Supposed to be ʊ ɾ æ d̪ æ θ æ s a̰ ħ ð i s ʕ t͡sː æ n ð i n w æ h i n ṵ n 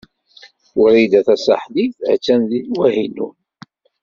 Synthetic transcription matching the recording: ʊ ɾ i d̪ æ θ æ s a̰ ħ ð i θ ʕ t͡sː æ n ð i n w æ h i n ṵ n